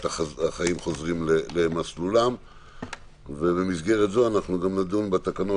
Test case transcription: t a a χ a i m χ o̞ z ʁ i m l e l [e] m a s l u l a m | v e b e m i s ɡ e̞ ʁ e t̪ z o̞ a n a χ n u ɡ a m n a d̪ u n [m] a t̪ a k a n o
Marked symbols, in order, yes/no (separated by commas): yes, no